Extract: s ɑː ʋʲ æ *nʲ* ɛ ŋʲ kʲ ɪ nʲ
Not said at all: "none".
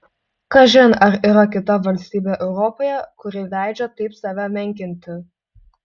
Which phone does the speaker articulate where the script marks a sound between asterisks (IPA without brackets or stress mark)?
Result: mʲ